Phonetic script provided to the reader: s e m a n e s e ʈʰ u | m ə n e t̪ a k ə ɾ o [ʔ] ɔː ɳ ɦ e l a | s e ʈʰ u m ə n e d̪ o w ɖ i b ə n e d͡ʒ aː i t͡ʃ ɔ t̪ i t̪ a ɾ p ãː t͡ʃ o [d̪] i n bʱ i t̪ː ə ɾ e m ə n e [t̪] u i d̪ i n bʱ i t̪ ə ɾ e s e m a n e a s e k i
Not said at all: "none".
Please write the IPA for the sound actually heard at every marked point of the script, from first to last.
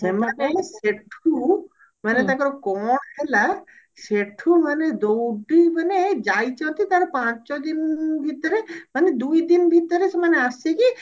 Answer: k, d̪, d̪

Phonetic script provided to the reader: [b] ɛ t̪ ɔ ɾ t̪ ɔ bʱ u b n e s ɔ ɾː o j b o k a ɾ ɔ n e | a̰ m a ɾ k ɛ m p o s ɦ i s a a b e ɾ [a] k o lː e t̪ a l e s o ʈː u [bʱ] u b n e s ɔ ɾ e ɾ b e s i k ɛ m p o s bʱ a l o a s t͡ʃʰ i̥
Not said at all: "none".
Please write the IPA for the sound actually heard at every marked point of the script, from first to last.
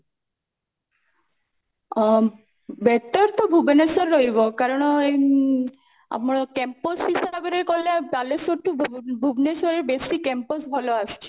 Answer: b, e, bʱ

